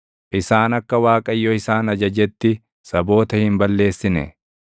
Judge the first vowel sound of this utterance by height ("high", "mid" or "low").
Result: high